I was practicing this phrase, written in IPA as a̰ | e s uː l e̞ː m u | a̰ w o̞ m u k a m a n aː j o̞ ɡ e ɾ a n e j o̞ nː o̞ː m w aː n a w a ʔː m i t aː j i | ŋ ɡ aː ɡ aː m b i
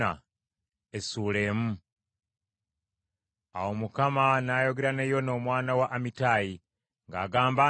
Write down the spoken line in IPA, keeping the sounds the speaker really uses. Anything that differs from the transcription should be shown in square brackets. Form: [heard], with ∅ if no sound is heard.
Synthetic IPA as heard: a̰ | e s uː l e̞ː m u | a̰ w o̞ m u k a m a n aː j o̞ ɡ e ɾ a n e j o̞ [n] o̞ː m w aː n a w a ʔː m i t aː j i | ŋ ɡ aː ɡ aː m b [a]